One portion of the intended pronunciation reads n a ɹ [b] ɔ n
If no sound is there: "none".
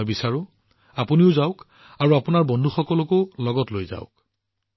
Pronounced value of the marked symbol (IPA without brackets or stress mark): b